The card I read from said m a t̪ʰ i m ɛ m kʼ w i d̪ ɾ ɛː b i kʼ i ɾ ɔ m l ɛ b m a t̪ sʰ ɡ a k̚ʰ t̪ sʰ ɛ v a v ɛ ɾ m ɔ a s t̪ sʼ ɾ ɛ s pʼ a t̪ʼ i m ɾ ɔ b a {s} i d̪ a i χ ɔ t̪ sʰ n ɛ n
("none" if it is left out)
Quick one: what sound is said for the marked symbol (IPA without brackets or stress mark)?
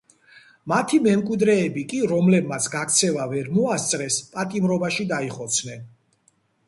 ʃ